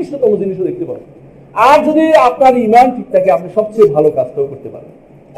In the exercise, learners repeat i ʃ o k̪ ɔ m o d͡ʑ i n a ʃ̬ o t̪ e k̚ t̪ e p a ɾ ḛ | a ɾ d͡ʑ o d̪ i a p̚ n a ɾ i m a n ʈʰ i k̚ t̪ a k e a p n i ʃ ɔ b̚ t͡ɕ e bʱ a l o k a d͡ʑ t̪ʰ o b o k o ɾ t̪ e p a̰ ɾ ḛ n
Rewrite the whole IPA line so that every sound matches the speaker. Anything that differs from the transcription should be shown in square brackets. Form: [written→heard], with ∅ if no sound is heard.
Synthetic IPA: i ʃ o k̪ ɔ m o d͡ʑ i n [a→i] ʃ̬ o [t̪→d̪] e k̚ t̪ e p a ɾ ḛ | a ɾ d͡ʑ o d̪ i a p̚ n a ɾ i m a n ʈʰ i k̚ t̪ a k e a p n i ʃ ɔ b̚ t͡ɕ e bʱ a l o k a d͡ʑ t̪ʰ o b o k o ɾ t̪ e p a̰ ɾ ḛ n